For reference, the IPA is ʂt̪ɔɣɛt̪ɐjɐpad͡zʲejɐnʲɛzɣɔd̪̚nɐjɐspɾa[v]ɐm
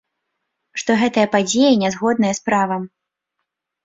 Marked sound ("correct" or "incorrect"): correct